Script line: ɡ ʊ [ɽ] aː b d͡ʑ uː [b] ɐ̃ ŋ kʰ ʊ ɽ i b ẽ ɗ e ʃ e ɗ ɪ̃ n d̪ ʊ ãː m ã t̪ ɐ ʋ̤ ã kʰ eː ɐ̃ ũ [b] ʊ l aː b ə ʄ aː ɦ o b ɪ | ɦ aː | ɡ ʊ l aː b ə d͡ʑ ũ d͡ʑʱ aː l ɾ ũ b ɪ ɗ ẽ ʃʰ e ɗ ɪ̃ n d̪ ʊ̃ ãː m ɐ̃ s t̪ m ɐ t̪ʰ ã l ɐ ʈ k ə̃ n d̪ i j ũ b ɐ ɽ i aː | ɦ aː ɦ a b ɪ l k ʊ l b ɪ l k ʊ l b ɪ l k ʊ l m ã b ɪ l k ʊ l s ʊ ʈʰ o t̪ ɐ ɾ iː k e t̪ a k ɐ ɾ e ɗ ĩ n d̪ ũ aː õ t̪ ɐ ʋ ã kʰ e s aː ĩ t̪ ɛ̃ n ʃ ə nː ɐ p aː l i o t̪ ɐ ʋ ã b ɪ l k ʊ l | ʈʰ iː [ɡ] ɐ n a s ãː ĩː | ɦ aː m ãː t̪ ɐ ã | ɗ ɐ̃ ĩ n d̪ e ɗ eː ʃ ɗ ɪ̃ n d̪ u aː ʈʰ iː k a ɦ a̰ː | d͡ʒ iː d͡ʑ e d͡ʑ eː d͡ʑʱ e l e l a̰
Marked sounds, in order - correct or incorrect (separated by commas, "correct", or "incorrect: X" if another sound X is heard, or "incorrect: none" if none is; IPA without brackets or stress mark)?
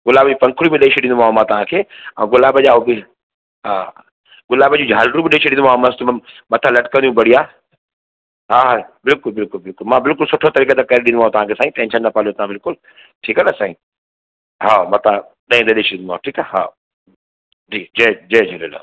incorrect: l, incorrect: p, incorrect: ɡ, incorrect: k